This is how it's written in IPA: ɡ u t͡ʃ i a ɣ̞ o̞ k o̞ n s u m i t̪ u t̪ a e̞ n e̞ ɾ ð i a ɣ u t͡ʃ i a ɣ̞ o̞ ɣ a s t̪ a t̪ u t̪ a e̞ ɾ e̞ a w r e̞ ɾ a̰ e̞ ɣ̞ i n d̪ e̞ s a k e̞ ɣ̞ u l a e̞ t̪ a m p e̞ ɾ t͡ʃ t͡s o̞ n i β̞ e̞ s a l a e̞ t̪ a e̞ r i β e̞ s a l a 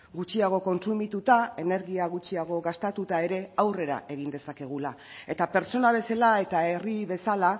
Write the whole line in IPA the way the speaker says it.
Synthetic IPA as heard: ɡ u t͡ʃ i a ɣ̞ o̞ k o̞ n s u m i t̪ u t̪ a e̞ n e̞ ɾ ɣ i a ɣ u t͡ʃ i a ɣ̞ o̞ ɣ a s t̪ a t̪ u t̪ a e̞ ɾ e̞ a w r e̞ ɾ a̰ e̞ ɣ̞ i n d̪ e̞ s a k e̞ ɣ̞ u l a e̞ t̪ a p e̞ ɾ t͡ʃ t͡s o̞ n a β̞ e̞ s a l a e̞ t̪ a e̞ r i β e̞ s a l a